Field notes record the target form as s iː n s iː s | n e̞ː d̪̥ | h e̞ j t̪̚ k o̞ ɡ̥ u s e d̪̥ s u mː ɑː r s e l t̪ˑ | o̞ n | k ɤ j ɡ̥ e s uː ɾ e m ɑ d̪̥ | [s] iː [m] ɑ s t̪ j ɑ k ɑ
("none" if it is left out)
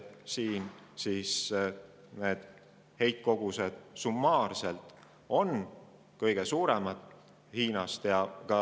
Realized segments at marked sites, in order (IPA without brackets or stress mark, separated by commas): h, n